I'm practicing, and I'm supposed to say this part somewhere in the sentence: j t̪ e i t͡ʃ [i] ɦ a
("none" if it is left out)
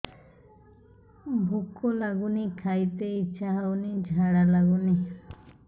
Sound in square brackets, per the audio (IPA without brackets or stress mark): a